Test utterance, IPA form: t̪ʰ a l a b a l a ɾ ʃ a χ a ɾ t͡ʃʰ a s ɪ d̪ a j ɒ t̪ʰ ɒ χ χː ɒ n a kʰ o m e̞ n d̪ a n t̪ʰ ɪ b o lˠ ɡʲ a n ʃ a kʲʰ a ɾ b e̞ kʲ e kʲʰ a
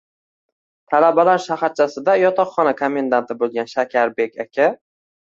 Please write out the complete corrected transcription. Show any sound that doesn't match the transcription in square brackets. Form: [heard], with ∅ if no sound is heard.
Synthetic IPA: t̪ʰ a l a b a l a ɾ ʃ a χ a ɾ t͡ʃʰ a s ɪ d̪ a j ɒ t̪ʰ ɒ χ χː ɒ n a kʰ o m e̞ n d̪ a n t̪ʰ ɪ b o lˠ ɡʲ a n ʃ a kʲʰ a ɾ b e̞ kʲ [a] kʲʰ a